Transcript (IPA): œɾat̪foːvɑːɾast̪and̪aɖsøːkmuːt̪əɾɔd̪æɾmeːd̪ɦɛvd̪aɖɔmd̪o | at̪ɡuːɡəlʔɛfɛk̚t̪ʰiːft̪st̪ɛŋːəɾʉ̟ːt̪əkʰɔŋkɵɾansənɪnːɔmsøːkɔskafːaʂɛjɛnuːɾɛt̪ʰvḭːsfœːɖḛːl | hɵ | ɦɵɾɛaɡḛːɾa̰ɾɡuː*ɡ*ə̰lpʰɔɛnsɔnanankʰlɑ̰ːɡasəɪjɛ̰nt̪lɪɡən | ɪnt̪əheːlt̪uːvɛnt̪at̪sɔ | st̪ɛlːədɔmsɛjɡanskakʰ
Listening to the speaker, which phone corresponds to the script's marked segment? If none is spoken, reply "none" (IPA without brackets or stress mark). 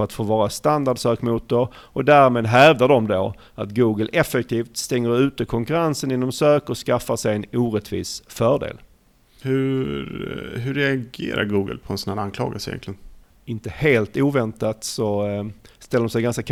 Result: ɡ